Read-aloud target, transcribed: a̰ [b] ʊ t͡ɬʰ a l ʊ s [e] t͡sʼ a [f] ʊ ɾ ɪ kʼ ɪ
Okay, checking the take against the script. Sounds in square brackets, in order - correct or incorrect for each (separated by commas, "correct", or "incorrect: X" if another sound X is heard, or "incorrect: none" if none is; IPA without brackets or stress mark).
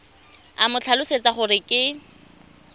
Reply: incorrect: m, correct, incorrect: χ